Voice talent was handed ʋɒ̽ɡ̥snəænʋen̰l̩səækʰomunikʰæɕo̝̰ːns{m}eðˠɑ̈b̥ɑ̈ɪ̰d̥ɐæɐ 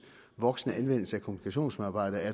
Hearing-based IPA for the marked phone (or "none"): m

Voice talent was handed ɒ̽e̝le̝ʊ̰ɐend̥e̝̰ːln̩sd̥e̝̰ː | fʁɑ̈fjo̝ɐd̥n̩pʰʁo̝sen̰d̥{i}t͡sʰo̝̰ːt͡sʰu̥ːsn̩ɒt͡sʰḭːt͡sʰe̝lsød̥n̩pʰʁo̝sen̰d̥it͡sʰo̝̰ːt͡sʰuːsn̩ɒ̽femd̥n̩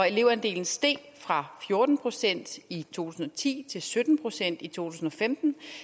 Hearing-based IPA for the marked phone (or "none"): i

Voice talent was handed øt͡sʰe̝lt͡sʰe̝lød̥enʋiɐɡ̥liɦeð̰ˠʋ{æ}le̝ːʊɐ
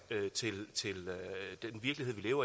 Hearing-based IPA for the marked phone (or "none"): i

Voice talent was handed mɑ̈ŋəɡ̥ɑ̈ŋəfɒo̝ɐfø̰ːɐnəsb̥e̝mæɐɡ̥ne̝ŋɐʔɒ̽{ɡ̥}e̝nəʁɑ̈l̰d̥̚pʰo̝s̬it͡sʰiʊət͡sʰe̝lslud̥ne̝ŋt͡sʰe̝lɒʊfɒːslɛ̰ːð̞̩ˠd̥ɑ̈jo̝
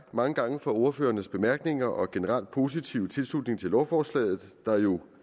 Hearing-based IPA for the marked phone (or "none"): ɡ̥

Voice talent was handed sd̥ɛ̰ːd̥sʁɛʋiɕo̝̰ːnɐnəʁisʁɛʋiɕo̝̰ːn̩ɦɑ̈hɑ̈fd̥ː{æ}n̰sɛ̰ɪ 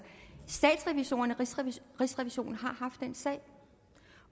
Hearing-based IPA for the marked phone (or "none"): e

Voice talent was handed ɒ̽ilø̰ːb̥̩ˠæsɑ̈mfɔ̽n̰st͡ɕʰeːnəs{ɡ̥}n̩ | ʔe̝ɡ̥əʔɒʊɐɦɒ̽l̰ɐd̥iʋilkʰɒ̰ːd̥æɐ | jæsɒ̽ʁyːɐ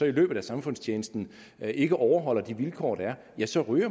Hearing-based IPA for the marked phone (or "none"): d̥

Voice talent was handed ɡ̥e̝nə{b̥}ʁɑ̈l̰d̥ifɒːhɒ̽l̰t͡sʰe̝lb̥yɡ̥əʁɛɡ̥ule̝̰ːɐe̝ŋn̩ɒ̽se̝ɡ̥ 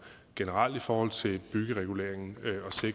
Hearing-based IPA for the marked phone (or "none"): none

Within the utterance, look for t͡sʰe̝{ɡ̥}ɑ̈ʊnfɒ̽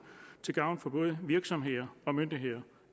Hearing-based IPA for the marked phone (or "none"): ɡ̥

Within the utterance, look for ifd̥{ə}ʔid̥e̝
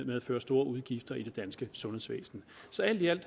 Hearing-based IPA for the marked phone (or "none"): ɐ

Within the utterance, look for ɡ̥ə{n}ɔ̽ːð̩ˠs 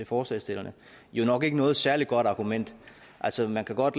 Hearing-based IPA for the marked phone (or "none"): n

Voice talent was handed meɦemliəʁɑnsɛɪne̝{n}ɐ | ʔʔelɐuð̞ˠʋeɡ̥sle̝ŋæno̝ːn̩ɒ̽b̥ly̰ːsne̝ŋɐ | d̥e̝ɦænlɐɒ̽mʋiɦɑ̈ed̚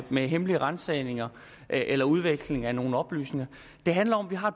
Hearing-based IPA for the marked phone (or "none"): ŋ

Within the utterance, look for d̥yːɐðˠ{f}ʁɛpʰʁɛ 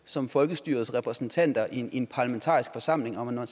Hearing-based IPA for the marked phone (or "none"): s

